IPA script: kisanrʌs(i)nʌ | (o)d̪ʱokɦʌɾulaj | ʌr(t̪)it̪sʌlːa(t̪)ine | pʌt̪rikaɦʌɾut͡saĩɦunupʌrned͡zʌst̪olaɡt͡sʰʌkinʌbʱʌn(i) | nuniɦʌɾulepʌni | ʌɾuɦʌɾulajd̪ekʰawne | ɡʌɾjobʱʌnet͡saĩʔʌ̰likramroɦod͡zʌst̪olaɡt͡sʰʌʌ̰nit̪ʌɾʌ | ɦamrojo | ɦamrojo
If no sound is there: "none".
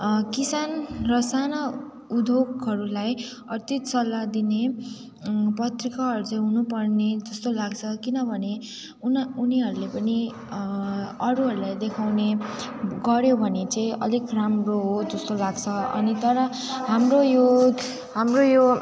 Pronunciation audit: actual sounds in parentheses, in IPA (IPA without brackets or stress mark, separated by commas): a, u, t̪, d̪, e